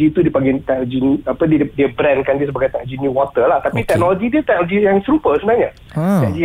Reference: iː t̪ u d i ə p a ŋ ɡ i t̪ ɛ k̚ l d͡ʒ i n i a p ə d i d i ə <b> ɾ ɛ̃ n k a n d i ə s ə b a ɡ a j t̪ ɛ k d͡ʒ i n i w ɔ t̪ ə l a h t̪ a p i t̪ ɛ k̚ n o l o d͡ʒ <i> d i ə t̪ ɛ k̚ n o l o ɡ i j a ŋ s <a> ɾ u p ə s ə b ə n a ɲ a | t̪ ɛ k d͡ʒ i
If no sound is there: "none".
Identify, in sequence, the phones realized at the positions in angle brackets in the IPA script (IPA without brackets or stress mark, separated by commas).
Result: b, i, ə